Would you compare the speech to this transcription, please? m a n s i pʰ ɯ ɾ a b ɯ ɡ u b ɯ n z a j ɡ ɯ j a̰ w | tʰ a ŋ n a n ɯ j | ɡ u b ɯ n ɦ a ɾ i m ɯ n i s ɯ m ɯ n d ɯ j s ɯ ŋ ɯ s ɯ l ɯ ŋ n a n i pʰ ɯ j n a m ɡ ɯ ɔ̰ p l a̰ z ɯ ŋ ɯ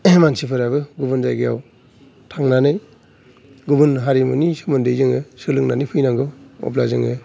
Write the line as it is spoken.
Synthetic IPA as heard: m a n s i pʰ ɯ ɾ a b ɯ ɡ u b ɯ n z a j ɡ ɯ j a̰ w | tʰ a ŋ n a n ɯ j | ɡ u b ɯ n ɦ a ɾ i m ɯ n i s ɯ m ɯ n d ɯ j z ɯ ŋ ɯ s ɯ l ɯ ŋ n a n i pʰ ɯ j n a ŋ ɡ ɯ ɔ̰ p l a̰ z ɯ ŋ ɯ